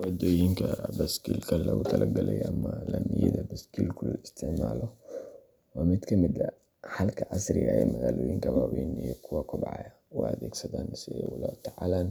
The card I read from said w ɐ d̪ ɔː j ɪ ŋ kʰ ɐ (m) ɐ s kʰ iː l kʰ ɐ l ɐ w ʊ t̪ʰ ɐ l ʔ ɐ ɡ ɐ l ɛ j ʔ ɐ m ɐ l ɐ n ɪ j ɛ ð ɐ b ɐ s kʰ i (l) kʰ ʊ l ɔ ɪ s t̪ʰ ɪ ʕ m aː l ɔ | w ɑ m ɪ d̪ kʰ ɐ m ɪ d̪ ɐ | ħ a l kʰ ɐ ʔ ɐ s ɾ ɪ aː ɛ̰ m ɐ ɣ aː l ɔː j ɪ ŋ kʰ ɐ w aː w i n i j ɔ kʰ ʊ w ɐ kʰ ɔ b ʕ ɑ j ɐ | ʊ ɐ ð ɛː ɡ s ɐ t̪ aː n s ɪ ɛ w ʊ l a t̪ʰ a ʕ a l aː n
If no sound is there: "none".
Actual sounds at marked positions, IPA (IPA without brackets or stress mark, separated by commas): b, l